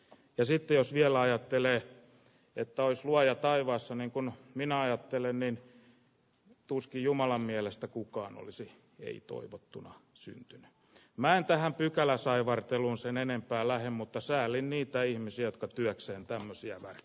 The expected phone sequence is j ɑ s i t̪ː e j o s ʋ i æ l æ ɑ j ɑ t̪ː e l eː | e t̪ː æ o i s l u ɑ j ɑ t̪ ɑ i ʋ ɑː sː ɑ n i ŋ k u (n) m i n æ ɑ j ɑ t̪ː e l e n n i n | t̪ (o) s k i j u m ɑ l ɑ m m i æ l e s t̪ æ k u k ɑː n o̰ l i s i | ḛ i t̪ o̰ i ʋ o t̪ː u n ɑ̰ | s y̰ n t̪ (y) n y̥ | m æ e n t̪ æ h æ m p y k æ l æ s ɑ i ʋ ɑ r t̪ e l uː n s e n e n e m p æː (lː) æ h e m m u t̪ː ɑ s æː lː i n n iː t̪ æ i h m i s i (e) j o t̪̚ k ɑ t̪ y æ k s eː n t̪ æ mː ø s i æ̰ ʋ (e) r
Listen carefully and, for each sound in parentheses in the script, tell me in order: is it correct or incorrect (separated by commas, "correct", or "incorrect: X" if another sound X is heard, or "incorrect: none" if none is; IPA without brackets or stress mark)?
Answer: correct, incorrect: u, correct, incorrect: l, incorrect: æ, incorrect: æ